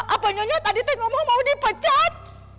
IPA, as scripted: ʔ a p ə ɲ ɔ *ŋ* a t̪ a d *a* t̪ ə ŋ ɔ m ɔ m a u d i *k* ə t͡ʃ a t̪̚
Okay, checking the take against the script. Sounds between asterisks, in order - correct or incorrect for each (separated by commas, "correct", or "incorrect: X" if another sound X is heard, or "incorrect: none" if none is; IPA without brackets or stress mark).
incorrect: ɲ, incorrect: i, incorrect: p